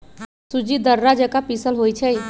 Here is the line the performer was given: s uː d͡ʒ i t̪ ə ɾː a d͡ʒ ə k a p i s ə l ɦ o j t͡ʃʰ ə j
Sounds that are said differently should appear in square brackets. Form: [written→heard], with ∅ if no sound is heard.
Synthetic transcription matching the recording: s [uː→u] d͡ʒ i [t̪→d̪] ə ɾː a d͡ʒ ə k a p i s ə l ɦ o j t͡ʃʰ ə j